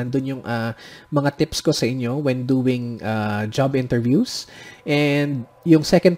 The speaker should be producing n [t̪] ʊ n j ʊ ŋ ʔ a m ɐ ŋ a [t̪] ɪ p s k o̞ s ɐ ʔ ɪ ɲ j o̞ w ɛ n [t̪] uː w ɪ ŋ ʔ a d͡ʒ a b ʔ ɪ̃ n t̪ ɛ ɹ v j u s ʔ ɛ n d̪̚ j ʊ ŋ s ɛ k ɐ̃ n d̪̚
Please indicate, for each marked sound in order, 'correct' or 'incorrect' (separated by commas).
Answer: incorrect, correct, incorrect